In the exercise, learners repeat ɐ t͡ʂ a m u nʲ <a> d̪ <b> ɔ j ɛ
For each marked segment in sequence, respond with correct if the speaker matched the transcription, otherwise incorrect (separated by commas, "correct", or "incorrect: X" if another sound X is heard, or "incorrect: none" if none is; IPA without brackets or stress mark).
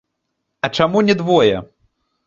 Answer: incorrect: ɛ, incorrect: v